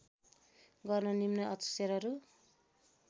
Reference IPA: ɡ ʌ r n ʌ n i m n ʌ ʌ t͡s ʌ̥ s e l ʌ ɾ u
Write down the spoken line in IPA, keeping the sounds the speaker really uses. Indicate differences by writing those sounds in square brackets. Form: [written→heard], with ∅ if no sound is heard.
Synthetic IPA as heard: ɡ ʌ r n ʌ n i m n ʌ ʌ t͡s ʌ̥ s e [l→ɾ] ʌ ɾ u